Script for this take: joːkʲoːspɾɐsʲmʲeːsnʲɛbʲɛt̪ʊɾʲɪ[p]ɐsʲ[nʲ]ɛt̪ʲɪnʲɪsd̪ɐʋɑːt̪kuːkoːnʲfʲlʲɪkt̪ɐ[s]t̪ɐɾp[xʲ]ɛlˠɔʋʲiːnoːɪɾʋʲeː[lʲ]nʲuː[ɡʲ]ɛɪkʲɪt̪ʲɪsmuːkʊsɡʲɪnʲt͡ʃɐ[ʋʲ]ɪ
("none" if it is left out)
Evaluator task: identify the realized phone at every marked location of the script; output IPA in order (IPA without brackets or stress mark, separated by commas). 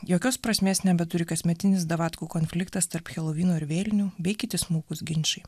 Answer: k, mʲ, s, xʲ, lʲ, bʲ, none